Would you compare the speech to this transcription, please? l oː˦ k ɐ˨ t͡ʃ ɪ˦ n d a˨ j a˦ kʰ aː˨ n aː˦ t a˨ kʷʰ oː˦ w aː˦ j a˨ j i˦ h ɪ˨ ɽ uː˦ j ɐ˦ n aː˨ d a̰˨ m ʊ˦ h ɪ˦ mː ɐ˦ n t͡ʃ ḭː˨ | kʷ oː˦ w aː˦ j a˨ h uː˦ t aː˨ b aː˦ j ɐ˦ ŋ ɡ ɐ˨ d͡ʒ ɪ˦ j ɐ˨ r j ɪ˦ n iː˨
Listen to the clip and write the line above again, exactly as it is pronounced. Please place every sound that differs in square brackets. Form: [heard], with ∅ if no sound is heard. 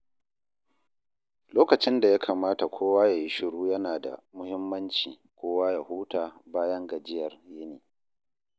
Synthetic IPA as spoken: l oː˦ k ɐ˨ t͡ʃ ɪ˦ n d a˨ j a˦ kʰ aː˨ [m] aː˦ t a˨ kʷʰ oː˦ w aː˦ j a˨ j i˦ [ʃ] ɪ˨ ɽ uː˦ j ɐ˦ n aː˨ d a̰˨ m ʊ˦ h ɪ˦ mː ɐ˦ n t͡ʃ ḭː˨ | kʷ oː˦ w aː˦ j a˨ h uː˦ t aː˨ b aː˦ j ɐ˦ ŋ ɡ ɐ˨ d͡ʒ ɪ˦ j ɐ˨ r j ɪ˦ n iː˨